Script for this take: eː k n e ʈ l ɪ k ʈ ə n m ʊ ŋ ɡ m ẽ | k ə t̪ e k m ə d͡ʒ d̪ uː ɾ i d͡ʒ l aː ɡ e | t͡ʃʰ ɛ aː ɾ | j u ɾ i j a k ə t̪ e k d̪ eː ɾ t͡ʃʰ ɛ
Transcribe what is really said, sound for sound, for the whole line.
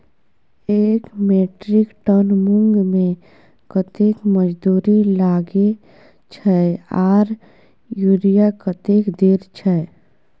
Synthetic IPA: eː k m e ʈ ɾ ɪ k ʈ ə n m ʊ ŋ ɡ m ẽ | k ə t̪ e k m ə d͡ʒ d̪ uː ɾ i l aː ɡ e | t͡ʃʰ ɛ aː ɾ | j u ɾ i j a k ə t̪ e k d̪ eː ɾ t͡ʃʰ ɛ